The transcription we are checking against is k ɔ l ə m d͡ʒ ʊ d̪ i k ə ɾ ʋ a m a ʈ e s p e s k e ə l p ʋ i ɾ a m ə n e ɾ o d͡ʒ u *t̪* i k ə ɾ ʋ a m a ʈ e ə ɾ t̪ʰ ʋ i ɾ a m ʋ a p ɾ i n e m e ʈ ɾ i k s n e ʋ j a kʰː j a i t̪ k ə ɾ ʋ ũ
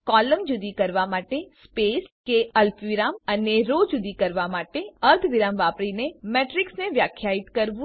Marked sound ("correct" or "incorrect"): incorrect